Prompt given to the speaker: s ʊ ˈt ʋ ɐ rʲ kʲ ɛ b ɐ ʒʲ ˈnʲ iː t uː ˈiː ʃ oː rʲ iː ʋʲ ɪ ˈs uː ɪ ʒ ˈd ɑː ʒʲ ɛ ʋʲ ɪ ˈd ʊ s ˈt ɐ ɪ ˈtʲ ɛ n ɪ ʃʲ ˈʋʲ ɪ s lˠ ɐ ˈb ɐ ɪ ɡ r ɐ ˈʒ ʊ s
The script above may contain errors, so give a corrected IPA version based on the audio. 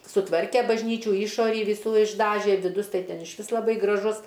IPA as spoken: s ʊ ˈt ʋ ɐ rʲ kʲ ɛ b ɐ ʒʲ ˈnʲ iː t͡ʃʲ uː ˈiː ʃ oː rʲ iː ʋʲ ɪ ˈs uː ɪ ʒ ˈd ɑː ʒʲ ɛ ʋʲ ɪ ˈd ʊ s ˈt ɐ ɪ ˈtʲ ɛ n ɪ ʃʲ ˈʋʲ ɪ s lˠ ɐ ˈb ɐ ɪ ɡ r ɐ ˈʒ ʊ s